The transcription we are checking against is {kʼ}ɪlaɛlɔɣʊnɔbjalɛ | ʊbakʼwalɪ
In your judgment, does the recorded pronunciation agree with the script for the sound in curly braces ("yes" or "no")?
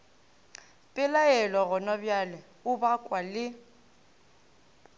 no